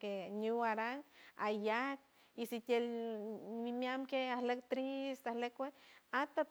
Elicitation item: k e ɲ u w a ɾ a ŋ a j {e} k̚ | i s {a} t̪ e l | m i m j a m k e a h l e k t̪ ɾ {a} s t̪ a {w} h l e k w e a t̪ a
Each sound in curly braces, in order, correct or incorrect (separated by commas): incorrect, incorrect, incorrect, incorrect